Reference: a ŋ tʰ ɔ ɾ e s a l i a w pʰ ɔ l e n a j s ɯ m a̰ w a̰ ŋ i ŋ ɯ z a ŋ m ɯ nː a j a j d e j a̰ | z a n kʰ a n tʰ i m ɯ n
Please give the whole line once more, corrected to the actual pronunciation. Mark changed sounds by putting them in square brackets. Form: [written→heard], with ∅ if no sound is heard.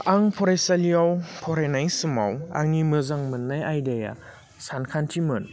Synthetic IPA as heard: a ŋ [tʰ→pʰ] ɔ ɾ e s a l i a w pʰ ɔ [l→ɾ] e n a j s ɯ m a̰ w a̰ ŋ i [ŋ→m] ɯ z a ŋ m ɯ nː a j a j d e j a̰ | [z→s] a n kʰ a n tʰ i m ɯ n